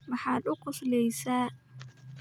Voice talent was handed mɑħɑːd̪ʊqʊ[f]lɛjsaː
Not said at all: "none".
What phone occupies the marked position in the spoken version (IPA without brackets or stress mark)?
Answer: s